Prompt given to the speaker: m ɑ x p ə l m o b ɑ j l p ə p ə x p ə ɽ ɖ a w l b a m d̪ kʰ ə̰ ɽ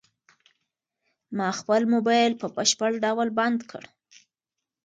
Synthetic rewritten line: m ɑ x p ə l m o b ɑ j l p ə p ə ʃ p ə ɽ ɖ a w l b a n d̪ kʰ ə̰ ɽ